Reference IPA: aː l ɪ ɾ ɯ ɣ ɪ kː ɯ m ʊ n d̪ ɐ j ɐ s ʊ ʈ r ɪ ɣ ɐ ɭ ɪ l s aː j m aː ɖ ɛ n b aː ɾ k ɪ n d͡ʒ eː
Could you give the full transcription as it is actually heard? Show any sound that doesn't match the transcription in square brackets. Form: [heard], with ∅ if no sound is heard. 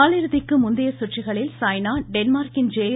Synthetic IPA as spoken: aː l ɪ ɾ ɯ [ð] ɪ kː ɯ m ʊ n d̪ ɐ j ɐ s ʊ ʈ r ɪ ɣ ɐ ɭ ɪ l s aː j [n] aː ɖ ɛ n [m] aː ɾ k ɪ n d͡ʒ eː